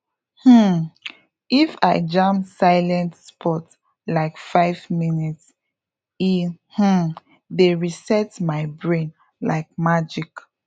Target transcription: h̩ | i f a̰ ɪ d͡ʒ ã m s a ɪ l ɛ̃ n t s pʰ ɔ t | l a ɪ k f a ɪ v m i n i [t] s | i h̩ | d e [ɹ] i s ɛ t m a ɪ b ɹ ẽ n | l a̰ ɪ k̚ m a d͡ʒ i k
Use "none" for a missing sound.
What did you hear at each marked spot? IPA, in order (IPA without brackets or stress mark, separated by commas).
t, ɹ